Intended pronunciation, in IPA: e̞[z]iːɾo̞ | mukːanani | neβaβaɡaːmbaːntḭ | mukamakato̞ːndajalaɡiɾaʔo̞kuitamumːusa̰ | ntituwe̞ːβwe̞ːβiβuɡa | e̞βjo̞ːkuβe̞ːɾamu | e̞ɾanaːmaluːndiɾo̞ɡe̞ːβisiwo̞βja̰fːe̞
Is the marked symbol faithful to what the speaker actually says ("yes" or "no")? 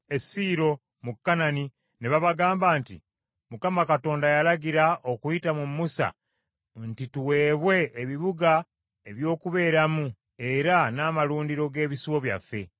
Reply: no